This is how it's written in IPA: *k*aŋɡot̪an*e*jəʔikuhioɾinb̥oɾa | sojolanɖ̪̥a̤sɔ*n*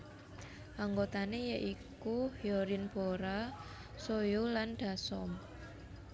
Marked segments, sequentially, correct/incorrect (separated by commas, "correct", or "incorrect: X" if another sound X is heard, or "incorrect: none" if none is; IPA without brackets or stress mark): incorrect: ʔ, correct, incorrect: m